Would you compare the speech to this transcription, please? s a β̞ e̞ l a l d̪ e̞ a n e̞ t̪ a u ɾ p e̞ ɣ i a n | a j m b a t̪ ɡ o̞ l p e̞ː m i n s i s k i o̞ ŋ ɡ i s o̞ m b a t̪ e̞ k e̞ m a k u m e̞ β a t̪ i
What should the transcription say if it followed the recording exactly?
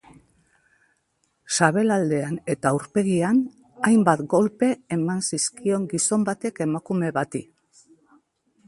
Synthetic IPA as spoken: s a β̞ e̞ l a l d̪ e̞ a n e̞ t̪ a u ɾ p e̞ ɣ i a n | a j m b a t̪ ɡ o̞ l p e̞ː m a n s i s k i o̞ ŋ ɡ i s o̞ m b a t̪ e̞ k e̞ m a k u m e̞ β a t̪ i